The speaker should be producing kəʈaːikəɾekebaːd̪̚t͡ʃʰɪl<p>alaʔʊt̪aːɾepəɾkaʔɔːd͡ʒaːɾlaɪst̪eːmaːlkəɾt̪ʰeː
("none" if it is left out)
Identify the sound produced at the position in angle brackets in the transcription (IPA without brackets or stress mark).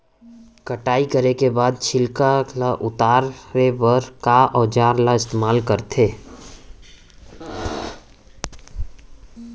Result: k